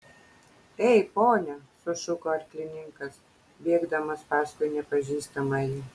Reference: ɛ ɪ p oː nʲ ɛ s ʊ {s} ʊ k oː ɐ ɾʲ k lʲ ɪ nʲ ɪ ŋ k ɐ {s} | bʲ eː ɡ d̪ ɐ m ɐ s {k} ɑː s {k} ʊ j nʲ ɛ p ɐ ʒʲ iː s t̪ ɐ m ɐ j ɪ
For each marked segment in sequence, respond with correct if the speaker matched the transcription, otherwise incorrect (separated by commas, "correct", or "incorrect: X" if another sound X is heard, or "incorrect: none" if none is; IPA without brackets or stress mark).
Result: incorrect: ʃ, correct, incorrect: p, correct